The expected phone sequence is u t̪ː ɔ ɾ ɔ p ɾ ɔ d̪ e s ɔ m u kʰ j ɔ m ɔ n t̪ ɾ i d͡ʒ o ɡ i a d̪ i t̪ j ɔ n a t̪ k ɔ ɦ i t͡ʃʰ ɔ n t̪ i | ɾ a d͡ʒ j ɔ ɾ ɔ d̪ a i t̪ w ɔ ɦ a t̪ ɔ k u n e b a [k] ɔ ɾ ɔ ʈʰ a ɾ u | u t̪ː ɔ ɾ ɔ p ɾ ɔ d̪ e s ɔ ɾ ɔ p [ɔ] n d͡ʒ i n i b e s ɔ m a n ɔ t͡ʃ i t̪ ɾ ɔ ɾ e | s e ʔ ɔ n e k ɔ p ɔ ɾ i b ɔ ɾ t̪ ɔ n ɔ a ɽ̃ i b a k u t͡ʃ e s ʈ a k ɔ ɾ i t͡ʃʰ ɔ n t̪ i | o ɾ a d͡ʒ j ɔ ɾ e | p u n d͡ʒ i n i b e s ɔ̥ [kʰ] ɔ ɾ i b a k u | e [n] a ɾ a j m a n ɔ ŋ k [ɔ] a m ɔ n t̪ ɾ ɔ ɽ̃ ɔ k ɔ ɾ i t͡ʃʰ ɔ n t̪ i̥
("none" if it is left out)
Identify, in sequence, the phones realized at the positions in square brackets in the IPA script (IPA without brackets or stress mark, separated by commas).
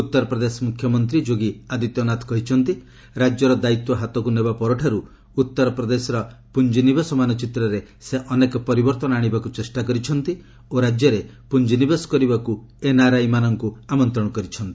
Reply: p, u, k, n, u